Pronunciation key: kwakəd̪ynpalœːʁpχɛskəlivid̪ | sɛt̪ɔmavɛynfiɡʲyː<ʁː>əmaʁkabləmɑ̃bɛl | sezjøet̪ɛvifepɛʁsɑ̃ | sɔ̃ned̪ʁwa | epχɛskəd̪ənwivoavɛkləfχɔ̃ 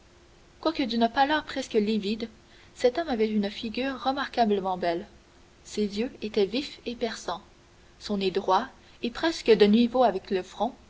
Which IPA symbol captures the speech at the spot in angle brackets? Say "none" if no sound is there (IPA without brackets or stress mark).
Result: ʁː